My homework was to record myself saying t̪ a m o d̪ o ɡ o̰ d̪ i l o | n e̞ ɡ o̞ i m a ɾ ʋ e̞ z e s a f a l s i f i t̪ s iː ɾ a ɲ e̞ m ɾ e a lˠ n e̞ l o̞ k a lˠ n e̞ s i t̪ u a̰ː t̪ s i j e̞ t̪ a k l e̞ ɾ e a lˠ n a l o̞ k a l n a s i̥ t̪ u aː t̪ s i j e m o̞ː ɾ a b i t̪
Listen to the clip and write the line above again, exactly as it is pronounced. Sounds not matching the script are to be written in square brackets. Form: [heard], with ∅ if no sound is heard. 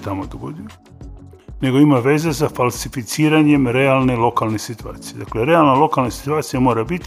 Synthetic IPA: t̪ a m o d̪ o ɡ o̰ d̪ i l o | n e̞ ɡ o̞ i m a [∅] ʋ e̞ z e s a f a l s i f i t̪ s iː ɾ a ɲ e̞ m ɾ e a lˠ n e̞ l o̞ k a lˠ n e̞ s i t̪ u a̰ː t̪ s i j e̞ [d̪] a k l e̞ ɾ e a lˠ n a l o̞ k a l n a s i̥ t̪ u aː t̪ s i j [a] m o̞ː ɾ a b i t̪